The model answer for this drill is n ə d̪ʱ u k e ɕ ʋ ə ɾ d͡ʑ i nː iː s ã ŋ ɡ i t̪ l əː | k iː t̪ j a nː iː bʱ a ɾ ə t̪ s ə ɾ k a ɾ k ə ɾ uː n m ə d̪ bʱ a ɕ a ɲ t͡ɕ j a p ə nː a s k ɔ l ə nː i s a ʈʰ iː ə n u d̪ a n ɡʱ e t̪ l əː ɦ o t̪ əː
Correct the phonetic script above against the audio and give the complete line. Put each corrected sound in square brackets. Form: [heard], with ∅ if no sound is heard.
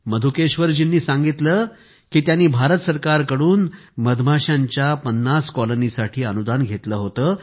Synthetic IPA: [m] ə d̪ʱ u k e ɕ ʋ ə ɾ d͡ʑ i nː iː s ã ŋ ɡ i t̪ l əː | k iː t̪ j a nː iː bʱ a ɾ ə t̪ s ə ɾ k a ɾ k ə [ɽ] uː n m ə d̪ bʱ a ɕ a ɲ t͡ɕ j a p ə nː a s k ɔ l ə [n] i s a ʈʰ iː ə n u d̪ a n ɡʱ e t̪ l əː ɦ o t̪ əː

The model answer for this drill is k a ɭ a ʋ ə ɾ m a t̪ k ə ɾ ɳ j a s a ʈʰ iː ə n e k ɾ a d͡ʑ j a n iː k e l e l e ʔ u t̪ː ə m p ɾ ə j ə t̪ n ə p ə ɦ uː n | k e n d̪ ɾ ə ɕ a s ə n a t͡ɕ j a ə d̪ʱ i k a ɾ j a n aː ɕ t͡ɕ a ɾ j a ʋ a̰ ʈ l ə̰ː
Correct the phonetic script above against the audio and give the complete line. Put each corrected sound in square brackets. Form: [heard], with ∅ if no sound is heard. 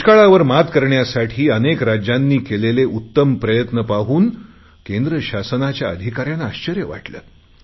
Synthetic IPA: k a ɭ a ʋ ə ɾ m a t̪ k ə ɾ ɳ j a s a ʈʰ iː ə n e k ɾ a d͡ʑ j a [nː] iː k e l e l e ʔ u t̪ː ə m p ɾ ə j ə t̪ n ə p [a] ɦ uː n | k e n d̪ ɾ ə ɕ a s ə n a t͡ɕ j a ə d̪ʱ i k a ɾ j a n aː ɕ t͡ɕ [ə] ɾ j [ə] ʋ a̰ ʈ l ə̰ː

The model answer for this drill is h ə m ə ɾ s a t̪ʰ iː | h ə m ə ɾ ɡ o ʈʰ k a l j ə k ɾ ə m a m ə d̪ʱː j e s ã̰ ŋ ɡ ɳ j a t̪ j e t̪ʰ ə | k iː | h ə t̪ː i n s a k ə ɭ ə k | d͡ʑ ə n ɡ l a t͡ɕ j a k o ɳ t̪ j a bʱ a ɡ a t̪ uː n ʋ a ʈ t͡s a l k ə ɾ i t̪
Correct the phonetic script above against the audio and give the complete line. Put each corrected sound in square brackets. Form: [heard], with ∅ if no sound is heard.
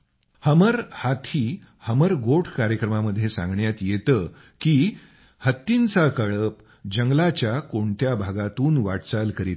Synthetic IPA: h ə m ə ɾ [h] a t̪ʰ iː | h ə m ə ɾ ɡ o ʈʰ k a [ɾ] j ə k ɾ ə m a m ə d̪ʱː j e s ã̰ ŋ ɡ ɳ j a t̪ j e [t̪] ə | k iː | h ə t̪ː i n [t͡s] a k ə ɭ ə [p] | d͡ʑ ə [ŋ] ɡ l a t͡ɕ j a k o ɳ t̪ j a bʱ a ɡ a t̪ uː n ʋ a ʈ t͡s a l k ə ɾ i t̪

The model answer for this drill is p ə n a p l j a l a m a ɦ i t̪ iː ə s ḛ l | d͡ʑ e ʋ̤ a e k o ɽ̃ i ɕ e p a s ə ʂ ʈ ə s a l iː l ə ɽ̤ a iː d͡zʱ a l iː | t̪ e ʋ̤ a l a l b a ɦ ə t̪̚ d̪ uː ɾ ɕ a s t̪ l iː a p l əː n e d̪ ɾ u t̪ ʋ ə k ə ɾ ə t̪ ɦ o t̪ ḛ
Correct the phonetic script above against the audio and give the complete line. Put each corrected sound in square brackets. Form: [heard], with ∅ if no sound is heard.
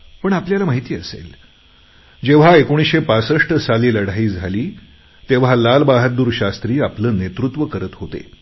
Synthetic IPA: p ə [ɳ] a p l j a l a m a ɦ i t̪ iː ə s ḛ l | d͡ʑ e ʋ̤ a e k o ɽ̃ i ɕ e p a s ə ʂ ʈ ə s a l iː l ə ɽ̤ a iː d͡zʱ a l iː | t̪ e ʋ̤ a l a l b a ɦ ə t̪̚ d̪ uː ɾ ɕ a s t̪ [ɾ] iː a p l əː n e [t̪] ɾ u t̪ ʋ ə k ə ɾ ə t̪ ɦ o t̪ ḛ

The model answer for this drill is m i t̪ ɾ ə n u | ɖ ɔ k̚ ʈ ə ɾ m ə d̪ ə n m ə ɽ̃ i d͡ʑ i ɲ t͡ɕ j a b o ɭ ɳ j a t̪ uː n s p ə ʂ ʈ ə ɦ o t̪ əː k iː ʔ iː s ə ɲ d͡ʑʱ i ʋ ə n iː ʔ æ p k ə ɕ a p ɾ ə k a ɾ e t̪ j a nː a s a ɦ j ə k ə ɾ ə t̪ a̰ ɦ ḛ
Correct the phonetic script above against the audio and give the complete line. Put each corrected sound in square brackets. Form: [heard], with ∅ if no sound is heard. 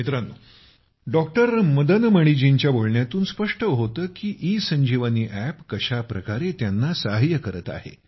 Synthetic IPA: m i t̪ ɾ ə n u | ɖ ɔ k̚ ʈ ə ɾ m ə d̪ ə n m ə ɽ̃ i d͡ʑ i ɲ t͡ɕ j a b o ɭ ɳ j a t̪ uː n s p ə ʂ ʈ ə ɦ o t̪ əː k iː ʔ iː s ə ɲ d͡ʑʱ i ʋ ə n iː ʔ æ p k ə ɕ a p ɾ ə k a ɾ e t̪ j a nː a s a ɦ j ə k ə ɾ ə t̪ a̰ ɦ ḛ

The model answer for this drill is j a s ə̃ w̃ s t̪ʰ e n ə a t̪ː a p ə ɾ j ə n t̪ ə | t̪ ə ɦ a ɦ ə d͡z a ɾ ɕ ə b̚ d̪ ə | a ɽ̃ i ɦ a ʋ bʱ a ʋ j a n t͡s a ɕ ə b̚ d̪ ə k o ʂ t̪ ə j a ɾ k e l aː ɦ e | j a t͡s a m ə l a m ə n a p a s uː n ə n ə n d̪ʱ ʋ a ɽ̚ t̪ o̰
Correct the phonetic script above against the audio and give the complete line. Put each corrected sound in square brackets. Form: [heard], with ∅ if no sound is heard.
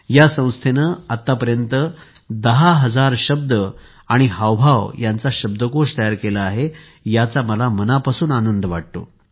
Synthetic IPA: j a s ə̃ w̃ s t̪ʰ e n ə a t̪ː a p ə ɾ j ə n t̪ ə | [d̪] ə ɦ a ɦ ə d͡z a ɾ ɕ ə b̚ d̪ ə | a ɽ̃ i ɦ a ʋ bʱ a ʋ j a n t͡s a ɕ ə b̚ d̪ ə k o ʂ t̪ ə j a ɾ k e l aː ɦ e | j a t͡s a m ə l a m ə n a p a s uː n [a] n ə n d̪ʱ ʋ a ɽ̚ t̪ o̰

